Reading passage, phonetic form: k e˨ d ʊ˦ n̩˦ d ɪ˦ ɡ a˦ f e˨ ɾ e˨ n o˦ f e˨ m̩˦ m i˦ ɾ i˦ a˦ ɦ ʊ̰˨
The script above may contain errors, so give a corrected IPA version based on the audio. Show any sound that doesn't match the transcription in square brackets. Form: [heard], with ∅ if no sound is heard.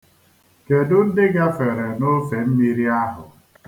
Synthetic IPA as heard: k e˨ d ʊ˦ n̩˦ d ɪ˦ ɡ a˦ f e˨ ɾ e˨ n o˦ f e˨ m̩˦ m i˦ ɾ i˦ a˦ ɦ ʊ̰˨

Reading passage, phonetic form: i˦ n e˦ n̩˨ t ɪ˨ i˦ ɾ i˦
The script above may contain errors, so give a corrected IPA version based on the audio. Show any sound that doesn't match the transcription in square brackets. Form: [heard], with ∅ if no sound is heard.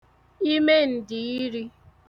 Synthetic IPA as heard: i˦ [m] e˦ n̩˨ [d] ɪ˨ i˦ ɾ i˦

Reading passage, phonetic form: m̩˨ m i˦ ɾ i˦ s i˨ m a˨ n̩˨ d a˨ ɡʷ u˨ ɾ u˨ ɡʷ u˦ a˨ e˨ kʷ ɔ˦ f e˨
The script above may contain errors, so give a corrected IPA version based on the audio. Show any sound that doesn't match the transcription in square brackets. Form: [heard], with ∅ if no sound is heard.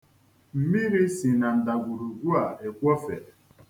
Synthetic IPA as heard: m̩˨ m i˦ ɾ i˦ s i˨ [n] a˨ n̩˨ d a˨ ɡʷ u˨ ɾ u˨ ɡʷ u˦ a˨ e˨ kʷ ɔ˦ f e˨

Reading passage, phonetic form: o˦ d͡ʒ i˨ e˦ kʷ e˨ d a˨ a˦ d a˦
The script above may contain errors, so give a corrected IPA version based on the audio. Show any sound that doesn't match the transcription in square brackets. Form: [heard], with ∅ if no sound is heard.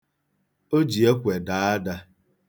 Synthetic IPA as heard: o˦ d͡ʒ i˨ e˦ kʷ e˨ d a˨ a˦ d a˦

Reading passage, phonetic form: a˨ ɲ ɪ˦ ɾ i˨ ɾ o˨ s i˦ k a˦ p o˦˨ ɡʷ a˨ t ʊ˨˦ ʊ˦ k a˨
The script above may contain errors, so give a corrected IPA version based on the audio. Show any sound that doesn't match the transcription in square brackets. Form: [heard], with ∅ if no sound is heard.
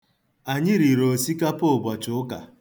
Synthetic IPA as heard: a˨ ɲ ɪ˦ ɾ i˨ ɾ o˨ s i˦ k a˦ p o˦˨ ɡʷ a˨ [t͡ʃ] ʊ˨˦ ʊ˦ k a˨

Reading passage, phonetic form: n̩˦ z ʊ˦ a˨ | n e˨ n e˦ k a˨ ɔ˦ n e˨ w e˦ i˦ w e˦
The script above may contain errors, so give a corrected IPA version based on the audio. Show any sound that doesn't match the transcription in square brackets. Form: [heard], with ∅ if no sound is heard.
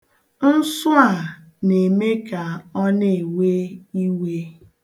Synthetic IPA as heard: n̩˦ [s] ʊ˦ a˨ | n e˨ [m] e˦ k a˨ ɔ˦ n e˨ w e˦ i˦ w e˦

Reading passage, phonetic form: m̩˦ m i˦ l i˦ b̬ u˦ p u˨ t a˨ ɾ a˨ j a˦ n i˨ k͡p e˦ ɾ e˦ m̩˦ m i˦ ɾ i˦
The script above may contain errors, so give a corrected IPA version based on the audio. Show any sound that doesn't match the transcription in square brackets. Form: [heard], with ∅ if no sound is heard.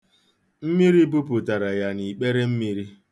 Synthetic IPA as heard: m̩˦ m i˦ [ɾ] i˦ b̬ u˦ p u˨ t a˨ ɾ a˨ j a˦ n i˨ k͡p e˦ ɾ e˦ m̩˦ m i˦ ɾ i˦

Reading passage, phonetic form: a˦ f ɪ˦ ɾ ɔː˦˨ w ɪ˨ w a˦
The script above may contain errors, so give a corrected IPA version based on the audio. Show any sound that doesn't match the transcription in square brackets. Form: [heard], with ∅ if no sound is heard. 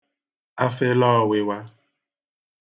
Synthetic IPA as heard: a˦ f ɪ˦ [l] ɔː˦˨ w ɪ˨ w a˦

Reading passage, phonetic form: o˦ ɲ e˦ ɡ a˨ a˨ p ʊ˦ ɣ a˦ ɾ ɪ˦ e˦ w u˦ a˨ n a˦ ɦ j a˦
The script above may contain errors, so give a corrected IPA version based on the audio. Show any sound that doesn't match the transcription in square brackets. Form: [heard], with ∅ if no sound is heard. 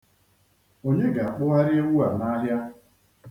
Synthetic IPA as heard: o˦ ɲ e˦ ɡ a˨ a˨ [k͡p] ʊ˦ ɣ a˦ ɾ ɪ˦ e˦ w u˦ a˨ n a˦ ɦ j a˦

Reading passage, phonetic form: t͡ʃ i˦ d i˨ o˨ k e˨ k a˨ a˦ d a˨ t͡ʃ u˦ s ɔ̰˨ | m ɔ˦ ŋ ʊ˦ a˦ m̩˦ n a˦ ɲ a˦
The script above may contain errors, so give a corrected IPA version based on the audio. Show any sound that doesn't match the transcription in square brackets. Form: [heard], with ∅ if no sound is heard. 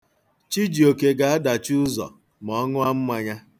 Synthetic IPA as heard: t͡ʃ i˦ [d͡ʒ] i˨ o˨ k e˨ [ɡ] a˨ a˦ d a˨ t͡ʃ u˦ [z] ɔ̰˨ | m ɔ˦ ŋ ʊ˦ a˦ m̩˦ [m] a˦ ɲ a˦

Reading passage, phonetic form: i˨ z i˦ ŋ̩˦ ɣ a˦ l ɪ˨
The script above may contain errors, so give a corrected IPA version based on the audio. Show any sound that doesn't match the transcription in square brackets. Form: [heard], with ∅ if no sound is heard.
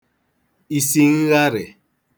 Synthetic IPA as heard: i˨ [s] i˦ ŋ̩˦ ɣ a˦ [ɾ] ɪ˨

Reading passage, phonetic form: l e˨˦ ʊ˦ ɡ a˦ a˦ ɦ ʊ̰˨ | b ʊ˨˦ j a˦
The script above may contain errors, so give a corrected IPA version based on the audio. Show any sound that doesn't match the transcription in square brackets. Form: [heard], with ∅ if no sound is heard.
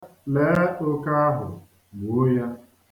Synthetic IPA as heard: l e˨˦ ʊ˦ [k] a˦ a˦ ɦ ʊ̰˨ | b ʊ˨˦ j a˦

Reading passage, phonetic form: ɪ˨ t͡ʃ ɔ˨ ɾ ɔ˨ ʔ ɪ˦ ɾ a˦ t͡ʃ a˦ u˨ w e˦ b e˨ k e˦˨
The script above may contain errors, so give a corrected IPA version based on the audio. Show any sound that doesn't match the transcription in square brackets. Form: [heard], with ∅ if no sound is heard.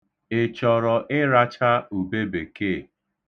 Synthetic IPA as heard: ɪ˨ t͡ʃ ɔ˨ ɾ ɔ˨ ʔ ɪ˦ ɾ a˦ t͡ʃ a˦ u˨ [b] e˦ b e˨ k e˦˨

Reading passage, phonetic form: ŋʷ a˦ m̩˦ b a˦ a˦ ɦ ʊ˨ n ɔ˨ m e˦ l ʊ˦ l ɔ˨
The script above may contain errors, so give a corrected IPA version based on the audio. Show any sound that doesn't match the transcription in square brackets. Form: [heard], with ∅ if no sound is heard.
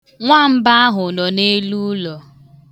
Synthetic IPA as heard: ŋʷ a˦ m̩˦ b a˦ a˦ ɦ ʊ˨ n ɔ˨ [n] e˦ l [u˦] l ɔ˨

